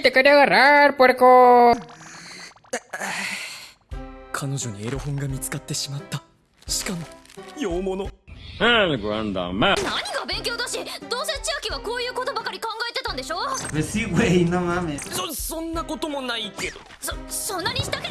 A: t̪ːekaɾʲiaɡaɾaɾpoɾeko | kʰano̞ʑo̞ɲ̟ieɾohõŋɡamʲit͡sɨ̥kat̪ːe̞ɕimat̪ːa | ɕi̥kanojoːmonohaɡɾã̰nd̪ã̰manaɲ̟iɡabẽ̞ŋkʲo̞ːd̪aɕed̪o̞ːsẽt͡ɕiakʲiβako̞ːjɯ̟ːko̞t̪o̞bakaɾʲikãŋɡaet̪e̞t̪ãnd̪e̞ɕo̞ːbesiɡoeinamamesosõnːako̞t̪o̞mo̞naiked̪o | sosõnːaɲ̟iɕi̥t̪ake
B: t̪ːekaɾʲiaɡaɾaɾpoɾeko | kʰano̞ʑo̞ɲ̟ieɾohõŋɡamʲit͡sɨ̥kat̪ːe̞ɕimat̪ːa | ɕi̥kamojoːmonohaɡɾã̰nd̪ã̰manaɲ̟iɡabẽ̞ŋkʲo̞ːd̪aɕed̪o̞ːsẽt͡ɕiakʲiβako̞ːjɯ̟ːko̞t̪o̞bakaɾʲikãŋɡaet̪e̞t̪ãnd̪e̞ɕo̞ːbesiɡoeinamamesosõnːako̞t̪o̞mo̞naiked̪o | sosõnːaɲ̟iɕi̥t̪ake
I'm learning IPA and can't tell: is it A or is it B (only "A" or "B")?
B